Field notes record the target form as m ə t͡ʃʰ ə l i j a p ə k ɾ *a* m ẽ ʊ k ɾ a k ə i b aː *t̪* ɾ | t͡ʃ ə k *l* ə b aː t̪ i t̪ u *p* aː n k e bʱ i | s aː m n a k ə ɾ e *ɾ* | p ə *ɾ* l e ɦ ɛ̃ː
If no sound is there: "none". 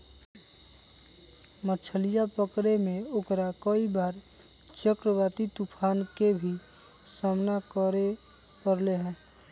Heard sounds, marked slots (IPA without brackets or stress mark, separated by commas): e, none, ɾ, pʰ, none, ɾ